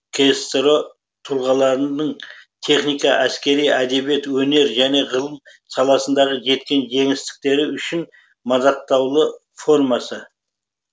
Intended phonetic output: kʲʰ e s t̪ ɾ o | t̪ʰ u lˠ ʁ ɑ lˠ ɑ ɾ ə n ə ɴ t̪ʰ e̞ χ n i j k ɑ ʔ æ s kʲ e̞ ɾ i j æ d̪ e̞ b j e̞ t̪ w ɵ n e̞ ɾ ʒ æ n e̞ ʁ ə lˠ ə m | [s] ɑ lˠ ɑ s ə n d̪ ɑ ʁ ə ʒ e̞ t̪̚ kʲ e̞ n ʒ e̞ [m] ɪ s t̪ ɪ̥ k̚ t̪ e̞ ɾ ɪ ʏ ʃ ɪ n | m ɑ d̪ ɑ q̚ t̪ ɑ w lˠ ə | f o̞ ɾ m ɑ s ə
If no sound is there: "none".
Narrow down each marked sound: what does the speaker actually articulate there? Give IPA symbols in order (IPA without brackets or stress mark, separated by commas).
s, ŋ